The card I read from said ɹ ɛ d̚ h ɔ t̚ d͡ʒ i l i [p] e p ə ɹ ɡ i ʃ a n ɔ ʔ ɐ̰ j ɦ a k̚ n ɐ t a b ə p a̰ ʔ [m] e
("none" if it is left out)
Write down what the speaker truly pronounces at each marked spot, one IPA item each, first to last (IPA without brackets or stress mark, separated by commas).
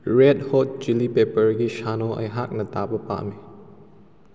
p, m